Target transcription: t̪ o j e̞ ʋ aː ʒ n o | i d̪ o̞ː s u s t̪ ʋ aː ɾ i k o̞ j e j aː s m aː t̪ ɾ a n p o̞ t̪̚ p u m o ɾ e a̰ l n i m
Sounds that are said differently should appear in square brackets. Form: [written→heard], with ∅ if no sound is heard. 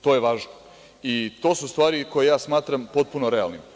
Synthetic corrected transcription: t̪ o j e̞ ʋ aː ʒ n o | i [d̪→t̪] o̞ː s u s t̪ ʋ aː ɾ i k o̞ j e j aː s m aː t̪ ɾ a [n→m] p o̞ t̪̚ p u [m→n] o ɾ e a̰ l n i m